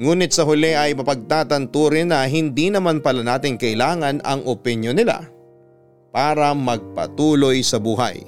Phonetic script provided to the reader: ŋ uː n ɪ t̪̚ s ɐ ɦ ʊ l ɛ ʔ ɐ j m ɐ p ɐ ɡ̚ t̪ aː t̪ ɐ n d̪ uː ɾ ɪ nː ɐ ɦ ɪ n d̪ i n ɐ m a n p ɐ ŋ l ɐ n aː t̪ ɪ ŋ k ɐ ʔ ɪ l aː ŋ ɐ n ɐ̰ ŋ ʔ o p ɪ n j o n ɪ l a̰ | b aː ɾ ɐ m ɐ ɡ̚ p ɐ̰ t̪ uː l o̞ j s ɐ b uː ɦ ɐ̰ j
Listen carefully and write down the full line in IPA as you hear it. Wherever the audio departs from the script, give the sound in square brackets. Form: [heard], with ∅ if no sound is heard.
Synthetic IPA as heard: ŋ uː n ɪ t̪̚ s ɐ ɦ ʊ l ɛ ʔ ɐ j m ɐ p ɐ ɡ̚ t̪ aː t̪ ɐ n [t̪] uː ɾ ɪ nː ɐ ɦ ɪ n d̪ i n ɐ m a n p ɐ [∅] l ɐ n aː t̪ ɪ ŋ k ɐ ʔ ɪ l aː ŋ ɐ n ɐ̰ ŋ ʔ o p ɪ n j o n ɪ l a̰ | [p] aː ɾ ɐ m ɐ ɡ̚ p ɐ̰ t̪ uː l o̞ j s ɐ b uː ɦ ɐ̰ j